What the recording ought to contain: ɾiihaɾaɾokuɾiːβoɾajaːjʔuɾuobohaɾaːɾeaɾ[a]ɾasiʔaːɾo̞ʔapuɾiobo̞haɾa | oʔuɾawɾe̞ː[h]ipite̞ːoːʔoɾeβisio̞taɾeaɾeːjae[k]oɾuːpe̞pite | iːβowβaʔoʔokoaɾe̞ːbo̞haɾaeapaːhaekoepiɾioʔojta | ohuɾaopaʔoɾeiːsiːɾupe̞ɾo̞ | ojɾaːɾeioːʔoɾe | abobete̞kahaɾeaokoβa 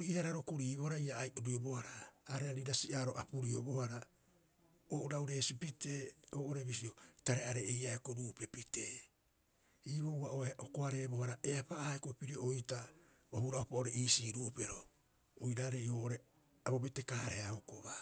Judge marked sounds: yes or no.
no, no, yes

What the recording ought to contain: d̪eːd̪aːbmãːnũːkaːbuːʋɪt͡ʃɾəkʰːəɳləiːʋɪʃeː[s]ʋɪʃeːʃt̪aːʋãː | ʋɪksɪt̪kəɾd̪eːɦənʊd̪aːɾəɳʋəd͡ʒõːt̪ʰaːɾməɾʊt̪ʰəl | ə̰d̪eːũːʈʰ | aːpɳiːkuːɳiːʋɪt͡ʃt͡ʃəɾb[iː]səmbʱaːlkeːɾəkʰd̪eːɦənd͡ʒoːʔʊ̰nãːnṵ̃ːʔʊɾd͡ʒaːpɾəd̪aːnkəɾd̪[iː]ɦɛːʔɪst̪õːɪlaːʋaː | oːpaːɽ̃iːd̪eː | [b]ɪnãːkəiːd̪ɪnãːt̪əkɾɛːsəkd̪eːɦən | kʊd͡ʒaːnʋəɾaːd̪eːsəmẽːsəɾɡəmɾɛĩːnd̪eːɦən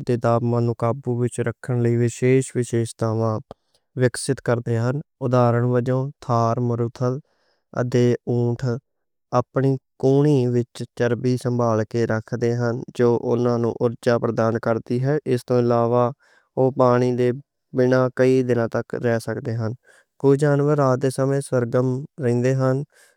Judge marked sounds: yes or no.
no, yes, yes, yes

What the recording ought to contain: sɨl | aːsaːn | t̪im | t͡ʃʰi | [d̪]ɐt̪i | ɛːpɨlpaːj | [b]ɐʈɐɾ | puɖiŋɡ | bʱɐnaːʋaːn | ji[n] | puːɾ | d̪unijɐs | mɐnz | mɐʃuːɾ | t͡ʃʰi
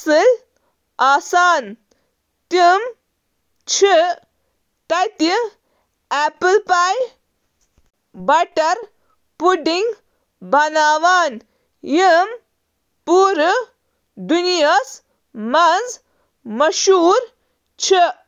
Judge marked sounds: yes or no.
no, yes, no

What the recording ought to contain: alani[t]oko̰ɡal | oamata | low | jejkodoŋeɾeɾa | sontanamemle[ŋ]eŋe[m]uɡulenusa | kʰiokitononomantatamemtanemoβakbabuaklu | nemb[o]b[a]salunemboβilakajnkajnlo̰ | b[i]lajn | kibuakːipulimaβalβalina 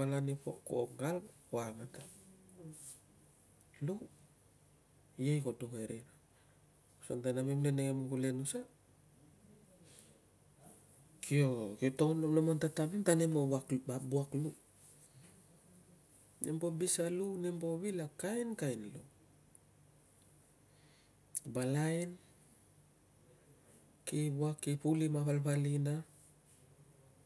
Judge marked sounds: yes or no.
no, no, yes, yes, no, no

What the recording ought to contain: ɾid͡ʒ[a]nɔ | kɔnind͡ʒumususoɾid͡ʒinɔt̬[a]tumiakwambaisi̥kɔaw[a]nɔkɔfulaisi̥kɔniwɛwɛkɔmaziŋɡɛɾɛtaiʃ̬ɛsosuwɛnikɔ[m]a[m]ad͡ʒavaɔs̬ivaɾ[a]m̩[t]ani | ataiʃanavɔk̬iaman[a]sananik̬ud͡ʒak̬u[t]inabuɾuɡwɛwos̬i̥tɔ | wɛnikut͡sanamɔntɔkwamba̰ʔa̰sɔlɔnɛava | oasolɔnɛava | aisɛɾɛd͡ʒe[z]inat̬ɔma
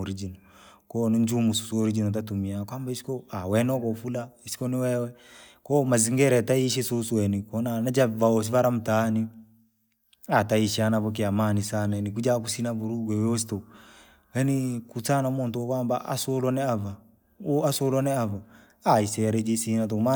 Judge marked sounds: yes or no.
no, yes, no, no, no, yes, yes, no, no, no

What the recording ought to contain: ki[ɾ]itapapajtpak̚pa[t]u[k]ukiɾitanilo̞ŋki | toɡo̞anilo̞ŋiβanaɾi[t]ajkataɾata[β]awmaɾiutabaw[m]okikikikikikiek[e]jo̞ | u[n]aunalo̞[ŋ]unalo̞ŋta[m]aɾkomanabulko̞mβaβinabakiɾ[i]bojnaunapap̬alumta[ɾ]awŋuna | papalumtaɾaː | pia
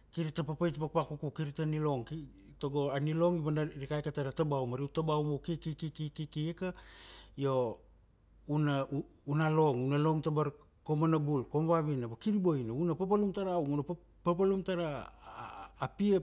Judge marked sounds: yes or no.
yes, no, yes, no, no, yes, no, yes, yes, no, yes, yes

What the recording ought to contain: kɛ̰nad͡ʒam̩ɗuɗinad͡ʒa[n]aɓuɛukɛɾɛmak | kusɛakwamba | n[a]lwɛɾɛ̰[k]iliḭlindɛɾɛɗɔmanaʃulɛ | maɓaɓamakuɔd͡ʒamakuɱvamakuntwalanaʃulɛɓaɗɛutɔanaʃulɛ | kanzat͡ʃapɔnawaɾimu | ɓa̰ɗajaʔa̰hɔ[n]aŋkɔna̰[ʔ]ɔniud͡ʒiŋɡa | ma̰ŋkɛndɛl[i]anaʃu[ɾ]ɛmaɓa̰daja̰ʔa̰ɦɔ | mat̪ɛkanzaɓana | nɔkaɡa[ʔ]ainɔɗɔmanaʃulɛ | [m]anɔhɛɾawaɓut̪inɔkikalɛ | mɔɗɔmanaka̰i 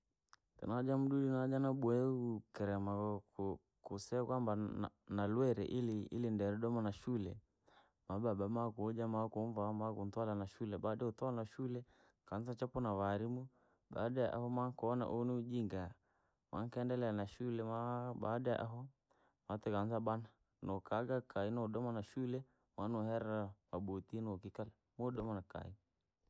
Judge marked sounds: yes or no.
yes, yes, no, no, yes, no, no, no, yes

